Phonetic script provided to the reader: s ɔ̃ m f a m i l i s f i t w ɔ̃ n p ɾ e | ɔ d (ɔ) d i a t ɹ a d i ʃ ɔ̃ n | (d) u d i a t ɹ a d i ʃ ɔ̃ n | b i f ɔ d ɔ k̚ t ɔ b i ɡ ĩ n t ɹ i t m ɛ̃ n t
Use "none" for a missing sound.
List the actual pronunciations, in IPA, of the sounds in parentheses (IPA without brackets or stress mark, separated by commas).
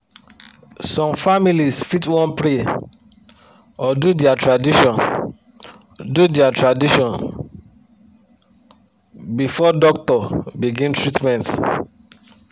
u, d